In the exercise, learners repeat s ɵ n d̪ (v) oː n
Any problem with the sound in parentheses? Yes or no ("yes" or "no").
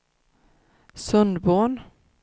yes